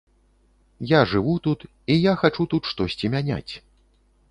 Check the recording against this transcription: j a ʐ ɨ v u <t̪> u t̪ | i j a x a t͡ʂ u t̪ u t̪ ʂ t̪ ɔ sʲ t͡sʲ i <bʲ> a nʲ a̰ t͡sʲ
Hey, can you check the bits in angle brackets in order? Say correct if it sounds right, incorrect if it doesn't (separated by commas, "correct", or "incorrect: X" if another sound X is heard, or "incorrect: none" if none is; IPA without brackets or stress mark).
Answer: correct, incorrect: mʲ